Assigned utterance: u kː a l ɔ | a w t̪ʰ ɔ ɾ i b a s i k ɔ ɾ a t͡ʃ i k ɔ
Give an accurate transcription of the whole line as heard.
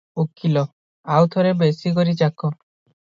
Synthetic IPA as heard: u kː i l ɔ | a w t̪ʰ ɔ ɾ e b e s i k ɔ ɾ i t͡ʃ a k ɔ

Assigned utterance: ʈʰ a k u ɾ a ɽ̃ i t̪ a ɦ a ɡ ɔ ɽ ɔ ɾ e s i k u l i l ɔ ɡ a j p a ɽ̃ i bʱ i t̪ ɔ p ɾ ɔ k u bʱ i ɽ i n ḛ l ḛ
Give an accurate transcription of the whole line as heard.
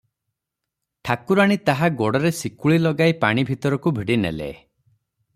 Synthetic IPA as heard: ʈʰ a k u ɾ a ɽ̃ i t̪ a ɦ a ɡ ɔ ɽ ɔ ɾ e s i k u ɭ i l ɔ ɡ a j p a ɽ̃ i bʱ i t̪ ɔ ɾ ɔ k u bʱ i ɽ i n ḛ l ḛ

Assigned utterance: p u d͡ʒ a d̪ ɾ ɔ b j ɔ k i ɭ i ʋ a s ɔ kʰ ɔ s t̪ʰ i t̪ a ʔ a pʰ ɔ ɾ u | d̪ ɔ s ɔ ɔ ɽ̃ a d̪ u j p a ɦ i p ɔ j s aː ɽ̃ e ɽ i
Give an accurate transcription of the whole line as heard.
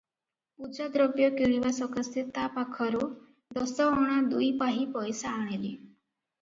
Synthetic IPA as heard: p u d͡ʒ a d̪ ɾ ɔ b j ɔ k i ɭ i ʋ a s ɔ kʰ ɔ s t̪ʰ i t̪ a p a kʰ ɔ ɾ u | d̪ ɔ s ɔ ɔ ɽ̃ a d̪ u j p a ɦ i p ɔ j s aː ɽ̃ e l i

